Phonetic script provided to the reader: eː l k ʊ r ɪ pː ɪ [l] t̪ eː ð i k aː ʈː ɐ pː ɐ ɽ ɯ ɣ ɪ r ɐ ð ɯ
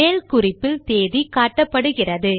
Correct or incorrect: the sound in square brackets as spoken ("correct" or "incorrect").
correct